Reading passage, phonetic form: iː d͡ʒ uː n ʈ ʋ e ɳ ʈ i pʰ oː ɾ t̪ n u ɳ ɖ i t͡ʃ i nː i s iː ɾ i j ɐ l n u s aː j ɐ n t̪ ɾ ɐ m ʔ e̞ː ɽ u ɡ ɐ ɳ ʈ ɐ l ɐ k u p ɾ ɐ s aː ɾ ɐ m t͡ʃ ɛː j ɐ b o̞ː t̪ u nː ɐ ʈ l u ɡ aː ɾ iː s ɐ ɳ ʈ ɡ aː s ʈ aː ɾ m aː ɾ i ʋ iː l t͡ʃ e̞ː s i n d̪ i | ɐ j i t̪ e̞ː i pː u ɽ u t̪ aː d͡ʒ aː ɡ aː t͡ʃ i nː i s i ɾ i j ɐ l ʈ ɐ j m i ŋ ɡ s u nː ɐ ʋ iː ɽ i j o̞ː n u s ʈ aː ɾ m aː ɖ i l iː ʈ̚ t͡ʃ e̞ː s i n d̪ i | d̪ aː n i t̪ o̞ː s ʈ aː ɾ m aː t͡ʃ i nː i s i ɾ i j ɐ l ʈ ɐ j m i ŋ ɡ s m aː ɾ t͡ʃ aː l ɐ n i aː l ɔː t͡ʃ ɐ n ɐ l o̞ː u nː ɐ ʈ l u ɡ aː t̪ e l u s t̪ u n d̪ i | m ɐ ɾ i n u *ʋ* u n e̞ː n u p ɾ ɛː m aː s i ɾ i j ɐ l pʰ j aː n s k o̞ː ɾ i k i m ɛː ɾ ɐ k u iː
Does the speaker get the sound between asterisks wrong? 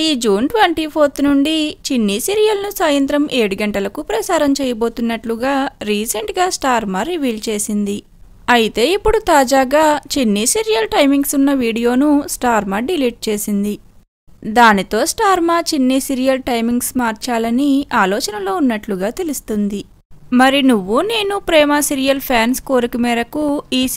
yes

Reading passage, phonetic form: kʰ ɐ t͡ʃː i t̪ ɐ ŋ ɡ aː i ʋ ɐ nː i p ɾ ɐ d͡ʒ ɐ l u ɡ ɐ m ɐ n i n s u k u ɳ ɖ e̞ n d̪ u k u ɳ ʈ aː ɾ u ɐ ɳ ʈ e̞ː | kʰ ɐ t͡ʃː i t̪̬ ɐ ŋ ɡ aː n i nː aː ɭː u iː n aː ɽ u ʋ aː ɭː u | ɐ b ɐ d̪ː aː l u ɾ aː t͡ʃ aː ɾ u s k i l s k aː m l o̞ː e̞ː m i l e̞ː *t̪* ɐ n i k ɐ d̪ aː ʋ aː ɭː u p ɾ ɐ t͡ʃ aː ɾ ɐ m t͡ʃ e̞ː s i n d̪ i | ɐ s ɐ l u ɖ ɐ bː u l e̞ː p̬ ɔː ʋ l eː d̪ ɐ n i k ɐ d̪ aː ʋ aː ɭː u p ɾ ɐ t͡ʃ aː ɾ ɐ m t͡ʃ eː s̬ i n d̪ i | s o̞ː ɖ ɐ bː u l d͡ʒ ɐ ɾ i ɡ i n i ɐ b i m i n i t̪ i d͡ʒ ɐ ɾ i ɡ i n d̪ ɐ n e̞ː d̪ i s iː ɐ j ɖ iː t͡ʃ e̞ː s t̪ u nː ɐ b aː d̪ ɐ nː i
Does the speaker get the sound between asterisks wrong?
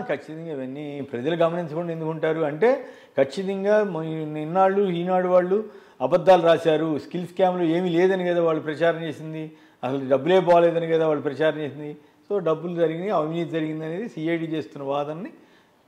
yes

